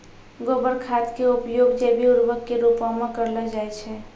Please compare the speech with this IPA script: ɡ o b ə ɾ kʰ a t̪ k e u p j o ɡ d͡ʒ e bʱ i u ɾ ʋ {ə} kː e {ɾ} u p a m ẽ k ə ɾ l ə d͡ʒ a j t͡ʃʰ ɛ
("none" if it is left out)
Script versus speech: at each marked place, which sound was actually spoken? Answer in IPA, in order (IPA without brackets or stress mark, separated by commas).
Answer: ə, ɾ